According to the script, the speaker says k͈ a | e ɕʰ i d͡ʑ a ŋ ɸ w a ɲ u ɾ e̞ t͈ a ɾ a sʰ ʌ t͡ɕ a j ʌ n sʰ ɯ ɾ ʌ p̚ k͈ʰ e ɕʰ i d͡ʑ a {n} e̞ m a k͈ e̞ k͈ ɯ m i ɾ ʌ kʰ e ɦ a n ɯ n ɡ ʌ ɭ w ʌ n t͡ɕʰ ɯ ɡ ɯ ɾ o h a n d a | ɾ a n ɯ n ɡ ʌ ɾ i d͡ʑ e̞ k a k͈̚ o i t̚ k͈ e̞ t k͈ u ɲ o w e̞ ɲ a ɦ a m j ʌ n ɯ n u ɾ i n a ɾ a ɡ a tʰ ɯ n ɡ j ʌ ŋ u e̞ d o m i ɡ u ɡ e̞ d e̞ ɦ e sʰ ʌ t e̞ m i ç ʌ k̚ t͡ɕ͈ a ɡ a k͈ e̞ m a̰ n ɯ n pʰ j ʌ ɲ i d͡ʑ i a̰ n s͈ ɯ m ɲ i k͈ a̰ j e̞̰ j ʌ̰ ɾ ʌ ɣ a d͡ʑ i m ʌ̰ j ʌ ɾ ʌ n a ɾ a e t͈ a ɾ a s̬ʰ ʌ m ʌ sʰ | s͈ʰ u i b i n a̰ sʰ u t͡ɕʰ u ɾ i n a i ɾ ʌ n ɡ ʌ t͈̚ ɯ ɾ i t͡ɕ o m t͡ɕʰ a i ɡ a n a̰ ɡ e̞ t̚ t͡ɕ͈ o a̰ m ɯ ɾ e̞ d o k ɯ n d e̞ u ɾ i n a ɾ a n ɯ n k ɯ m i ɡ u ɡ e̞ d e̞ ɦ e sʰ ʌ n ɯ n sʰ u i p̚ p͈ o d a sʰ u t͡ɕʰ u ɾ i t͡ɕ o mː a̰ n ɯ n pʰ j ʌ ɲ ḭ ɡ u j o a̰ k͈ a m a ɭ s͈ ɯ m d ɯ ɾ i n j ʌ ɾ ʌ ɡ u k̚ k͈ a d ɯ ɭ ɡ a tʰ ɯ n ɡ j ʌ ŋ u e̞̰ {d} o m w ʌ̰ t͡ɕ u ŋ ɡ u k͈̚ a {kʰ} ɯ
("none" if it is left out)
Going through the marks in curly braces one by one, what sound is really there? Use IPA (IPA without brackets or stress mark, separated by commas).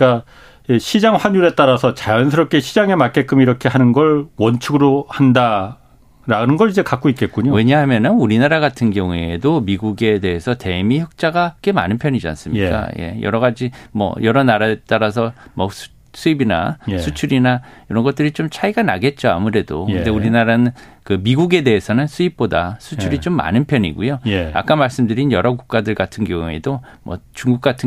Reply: ŋ, d, tʰ